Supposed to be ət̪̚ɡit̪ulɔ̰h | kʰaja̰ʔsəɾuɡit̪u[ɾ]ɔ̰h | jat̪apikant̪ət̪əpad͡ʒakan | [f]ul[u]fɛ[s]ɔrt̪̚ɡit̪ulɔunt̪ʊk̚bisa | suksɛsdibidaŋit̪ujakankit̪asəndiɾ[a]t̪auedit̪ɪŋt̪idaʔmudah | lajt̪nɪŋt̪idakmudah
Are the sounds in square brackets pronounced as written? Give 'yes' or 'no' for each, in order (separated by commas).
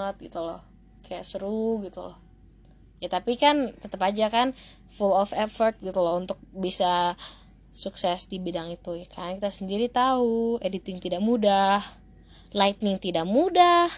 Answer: no, yes, no, no, no